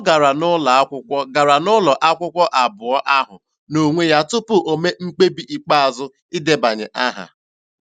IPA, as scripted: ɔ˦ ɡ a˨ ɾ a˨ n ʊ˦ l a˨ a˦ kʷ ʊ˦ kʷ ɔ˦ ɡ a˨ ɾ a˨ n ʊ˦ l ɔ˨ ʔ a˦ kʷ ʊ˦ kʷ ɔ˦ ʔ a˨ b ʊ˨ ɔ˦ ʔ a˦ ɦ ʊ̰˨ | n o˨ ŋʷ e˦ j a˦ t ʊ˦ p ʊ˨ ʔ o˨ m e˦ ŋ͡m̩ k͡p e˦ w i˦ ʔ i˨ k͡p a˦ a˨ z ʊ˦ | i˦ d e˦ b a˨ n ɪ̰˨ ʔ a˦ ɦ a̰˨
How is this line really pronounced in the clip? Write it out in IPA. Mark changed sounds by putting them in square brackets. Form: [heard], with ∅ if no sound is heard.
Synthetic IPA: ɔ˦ ɡ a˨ ɾ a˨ n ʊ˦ l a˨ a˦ kʷ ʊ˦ kʷ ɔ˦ ɡ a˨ ɾ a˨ n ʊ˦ l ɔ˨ ʔ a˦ kʷ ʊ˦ kʷ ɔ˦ ʔ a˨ b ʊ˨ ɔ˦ ʔ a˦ ɦ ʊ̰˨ | n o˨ ŋʷ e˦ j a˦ t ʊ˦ p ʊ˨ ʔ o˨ m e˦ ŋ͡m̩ k͡p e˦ [b] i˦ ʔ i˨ k͡p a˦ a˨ z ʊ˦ | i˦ d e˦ b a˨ [ɲ] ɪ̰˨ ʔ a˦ ɦ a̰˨